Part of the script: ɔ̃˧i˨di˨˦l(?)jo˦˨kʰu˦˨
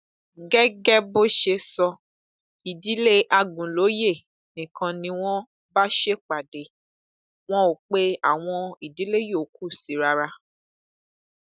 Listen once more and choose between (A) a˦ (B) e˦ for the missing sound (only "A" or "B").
B